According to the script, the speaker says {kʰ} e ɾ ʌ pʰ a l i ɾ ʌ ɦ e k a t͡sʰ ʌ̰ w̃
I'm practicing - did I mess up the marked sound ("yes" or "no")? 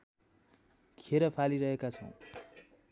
no